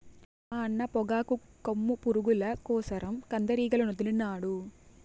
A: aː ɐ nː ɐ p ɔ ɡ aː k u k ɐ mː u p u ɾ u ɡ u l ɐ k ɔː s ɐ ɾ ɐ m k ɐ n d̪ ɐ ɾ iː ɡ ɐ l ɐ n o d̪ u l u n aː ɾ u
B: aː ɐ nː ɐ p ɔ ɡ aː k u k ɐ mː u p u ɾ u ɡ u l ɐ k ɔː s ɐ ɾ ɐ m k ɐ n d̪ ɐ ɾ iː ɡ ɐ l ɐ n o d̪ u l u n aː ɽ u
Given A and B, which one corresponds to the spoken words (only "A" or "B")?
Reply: B